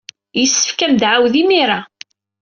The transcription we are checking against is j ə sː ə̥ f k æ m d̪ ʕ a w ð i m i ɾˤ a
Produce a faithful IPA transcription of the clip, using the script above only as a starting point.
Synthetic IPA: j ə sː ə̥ f k æ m d̪ ʕ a w ð i m i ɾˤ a